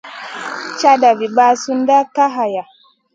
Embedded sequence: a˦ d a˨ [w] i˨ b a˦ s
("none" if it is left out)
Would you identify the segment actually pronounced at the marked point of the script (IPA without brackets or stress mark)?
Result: v